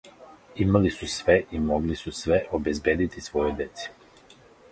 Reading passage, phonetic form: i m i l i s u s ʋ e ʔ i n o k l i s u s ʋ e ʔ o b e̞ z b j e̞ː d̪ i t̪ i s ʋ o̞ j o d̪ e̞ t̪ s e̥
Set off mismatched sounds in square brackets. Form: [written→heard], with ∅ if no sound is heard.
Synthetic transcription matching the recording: i m [i→a] l i s u s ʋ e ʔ i [n→m] o [k→ɡ] l i s u s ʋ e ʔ o b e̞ z b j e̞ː d̪ i t̪ i s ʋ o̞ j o d̪ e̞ t̪ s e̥